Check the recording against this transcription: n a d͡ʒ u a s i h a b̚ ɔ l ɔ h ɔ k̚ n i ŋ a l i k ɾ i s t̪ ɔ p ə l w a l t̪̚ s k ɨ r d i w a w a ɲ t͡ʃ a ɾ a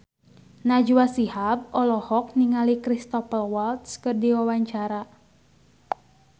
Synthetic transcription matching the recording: n a d͡ʒ u a s i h a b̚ ɔ l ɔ h ɔ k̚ n i ŋ a l i k ɾ i s t̪ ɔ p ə l w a l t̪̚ s k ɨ r d i w a w a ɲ t͡ʃ a ɾ a

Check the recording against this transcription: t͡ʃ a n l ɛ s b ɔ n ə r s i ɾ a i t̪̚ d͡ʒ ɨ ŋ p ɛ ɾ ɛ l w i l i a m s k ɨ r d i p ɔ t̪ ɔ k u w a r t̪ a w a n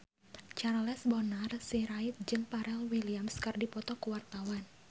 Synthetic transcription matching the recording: t͡ʃ a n l ɛ s b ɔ n a r s i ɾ a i t̪̚ d͡ʒ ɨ ŋ p a ɾ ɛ l w i l i a m s k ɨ r d i p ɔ t̪ ɔ k u w a r t̪ a w a n

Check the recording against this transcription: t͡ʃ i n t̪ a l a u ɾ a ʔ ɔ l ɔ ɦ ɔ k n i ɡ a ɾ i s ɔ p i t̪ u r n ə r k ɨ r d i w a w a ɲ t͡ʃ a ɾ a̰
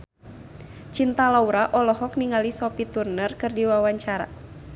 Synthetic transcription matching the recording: t͡ʃ i n t̪ a l a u ɾ a ʔ ɔ l ɔ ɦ ɔ k n i ŋ a l i s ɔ p i t̪ u r n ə r k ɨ r d i w a w a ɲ t͡ʃ a ɾ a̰

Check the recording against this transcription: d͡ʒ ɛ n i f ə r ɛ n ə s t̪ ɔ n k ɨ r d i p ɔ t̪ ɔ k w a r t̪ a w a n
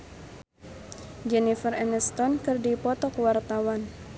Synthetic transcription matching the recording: d͡ʒ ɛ n i f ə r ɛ n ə s t̪ ɔ n k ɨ r d i p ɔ t̪ ɔ k w a r t̪ a w a n

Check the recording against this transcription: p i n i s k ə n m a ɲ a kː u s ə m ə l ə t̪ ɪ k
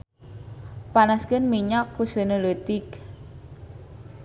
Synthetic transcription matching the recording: p a n a s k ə n m i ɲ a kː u s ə n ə l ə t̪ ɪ k

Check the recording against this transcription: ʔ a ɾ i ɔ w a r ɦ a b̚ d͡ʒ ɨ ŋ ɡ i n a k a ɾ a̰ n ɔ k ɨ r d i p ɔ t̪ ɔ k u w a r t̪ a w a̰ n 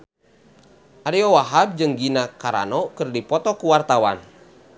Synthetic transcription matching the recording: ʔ a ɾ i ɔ w a ɦ a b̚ d͡ʒ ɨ ŋ ɡ i n a k a ɾ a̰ n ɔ k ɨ r d i p ɔ t̪ ɔ k u w a r t̪ a w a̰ n

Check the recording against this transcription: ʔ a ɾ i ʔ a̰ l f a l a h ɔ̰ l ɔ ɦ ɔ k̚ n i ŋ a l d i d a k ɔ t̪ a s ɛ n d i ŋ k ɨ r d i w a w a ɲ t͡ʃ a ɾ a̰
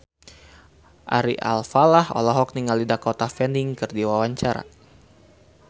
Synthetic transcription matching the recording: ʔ a ɾ i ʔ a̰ l f a l a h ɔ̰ l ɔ ɦ ɔ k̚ n i ŋ a l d i d a k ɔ t̪ a f ɛ n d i ŋ k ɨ r d i w a w a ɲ t͡ʃ a ɾ a̰

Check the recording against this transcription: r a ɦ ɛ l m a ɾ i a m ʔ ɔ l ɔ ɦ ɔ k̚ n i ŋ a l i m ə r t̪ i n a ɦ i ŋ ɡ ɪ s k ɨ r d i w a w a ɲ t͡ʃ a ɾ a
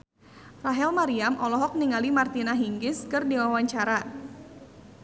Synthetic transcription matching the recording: r a ɦ ɛ l m a ɾ i a m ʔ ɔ l ɔ ɦ ɔ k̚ n i ŋ a l i m a r t̪ i n a ɦ i ŋ ɡ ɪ s k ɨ r d i w a w a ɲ t͡ʃ a ɾ a

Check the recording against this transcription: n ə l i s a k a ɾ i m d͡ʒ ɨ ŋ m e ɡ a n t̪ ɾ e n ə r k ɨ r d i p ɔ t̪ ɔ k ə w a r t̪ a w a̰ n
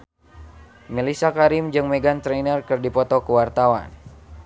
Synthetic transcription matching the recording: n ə l i s a k a ɾ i m d͡ʒ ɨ ŋ m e ɡ a n t̪ ɾ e n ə r k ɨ r d i p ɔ t̪ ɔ k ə w a r t̪ a w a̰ n

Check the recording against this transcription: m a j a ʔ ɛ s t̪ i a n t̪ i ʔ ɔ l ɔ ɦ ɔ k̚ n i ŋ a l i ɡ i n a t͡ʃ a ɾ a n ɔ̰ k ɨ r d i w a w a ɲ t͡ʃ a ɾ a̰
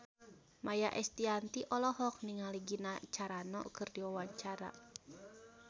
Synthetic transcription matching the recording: m a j a ʔ ɛ s t̪ i a n t̪ i ʔ ɔ l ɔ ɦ ɔ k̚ n i ŋ a l i ɡ i n a t͡ʃ a ɾ a n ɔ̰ k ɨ r d i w a w a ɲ t͡ʃ a ɾ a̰

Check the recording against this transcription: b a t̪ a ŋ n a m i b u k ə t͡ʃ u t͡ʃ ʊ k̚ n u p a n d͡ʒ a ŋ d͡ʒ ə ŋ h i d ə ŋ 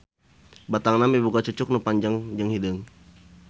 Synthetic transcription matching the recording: b a t̪ a ŋ n a m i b u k a t͡ʃ u t͡ʃ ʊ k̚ n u p a ɲ d͡ʒ a ŋ d͡ʒ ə ŋ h i d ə ŋ

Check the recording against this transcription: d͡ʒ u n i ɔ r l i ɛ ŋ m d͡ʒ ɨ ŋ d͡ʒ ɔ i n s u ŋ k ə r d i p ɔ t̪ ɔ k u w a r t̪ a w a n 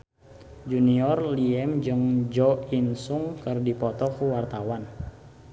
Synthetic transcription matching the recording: d͡ʒ u n i ɔ r l i ɛ m d͡ʒ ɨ ŋ d͡ʒ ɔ i n s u ŋ k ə r d i p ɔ t̪ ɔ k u w a r t̪ a w a n

